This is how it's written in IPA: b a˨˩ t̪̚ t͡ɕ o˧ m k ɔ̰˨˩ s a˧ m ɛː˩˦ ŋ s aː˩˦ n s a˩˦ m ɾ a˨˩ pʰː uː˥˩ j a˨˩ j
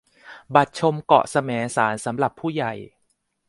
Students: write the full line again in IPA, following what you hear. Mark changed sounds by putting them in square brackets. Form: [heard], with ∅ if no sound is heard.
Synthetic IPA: b a˨˩ t̪̚ [t͡ɕʰ] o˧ m k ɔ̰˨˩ s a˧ m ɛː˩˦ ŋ s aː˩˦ n s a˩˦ m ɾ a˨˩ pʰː uː˥˩ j a˨˩ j